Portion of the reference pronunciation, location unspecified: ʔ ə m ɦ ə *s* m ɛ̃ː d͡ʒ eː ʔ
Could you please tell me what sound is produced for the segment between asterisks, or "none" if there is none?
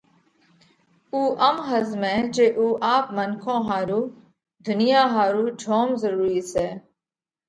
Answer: z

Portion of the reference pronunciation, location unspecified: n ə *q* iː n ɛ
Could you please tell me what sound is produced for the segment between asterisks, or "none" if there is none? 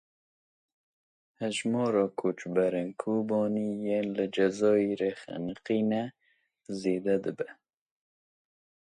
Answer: q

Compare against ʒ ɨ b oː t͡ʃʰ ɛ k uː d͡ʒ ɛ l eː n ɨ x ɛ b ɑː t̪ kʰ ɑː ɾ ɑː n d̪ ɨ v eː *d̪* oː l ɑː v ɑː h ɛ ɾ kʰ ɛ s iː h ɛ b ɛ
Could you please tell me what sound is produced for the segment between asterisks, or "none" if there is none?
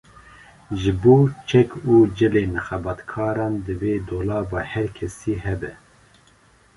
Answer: d̪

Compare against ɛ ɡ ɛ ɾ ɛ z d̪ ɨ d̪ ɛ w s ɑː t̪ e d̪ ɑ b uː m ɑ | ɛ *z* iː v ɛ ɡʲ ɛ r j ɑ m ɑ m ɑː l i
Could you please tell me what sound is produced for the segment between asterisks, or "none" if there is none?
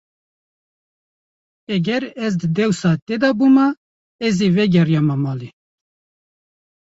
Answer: z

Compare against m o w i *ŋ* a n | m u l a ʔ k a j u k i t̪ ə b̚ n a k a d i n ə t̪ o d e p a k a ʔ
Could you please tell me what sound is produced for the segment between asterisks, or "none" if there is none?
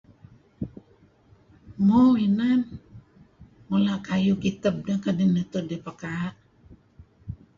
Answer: n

